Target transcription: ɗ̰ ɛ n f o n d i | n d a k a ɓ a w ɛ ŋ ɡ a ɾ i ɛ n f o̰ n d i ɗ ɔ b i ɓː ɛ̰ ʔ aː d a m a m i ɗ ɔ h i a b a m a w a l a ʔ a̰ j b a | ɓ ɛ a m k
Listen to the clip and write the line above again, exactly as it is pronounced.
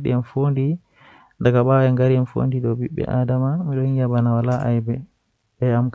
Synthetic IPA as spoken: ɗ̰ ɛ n f o n d i | n d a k a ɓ a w ɛ ŋ ɡ a ɾ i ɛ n f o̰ n d i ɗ ɔ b i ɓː ɛ̰ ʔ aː d a m a m i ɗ ɔ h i a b a n a w a l a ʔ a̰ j b ɛ | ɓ ɛ a m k